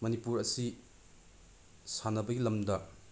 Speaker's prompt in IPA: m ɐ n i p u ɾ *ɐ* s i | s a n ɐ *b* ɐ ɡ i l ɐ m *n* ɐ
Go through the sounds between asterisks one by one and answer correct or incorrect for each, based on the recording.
correct, correct, incorrect: d

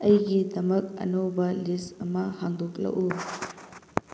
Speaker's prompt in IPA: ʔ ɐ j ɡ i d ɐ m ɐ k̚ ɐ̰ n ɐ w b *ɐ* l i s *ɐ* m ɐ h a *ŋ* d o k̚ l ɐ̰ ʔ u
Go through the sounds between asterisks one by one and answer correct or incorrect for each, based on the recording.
correct, correct, correct

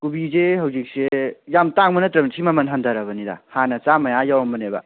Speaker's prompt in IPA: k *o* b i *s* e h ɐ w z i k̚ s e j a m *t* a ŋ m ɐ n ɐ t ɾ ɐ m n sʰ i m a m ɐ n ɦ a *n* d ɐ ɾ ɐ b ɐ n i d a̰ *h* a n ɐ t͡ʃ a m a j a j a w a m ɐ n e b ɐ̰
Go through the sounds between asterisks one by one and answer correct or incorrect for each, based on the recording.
incorrect: u, incorrect: z, correct, correct, correct

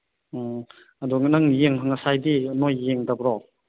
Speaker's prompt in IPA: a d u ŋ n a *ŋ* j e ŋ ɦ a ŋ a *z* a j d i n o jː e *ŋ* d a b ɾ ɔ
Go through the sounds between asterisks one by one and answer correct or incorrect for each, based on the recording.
correct, incorrect: s, correct

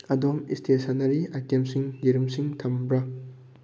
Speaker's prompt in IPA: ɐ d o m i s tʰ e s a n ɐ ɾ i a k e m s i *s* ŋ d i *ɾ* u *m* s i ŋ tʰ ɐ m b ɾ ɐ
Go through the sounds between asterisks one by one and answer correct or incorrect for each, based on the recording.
incorrect: none, correct, correct

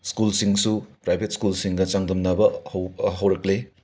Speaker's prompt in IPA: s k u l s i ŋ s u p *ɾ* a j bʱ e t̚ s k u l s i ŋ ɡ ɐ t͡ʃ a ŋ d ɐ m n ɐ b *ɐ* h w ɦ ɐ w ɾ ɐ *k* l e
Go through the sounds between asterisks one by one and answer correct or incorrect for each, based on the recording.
correct, correct, correct

